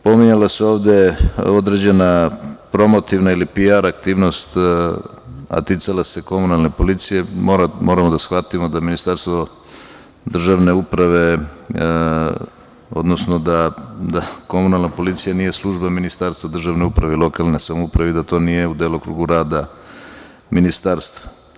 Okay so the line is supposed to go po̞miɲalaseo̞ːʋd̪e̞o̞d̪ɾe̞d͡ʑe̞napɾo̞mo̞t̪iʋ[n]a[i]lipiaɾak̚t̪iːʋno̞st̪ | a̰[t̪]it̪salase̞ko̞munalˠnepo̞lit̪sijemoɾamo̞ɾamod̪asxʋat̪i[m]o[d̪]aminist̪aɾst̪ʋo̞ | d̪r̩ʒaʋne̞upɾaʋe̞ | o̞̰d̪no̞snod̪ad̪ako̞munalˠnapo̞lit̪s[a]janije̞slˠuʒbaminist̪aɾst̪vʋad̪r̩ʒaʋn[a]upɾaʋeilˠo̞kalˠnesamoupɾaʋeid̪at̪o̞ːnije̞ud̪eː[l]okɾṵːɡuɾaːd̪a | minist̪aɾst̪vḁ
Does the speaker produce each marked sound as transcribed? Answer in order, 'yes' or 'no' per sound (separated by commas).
yes, yes, yes, yes, yes, no, no, yes